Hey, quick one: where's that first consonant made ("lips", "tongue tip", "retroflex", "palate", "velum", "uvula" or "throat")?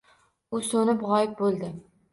tongue tip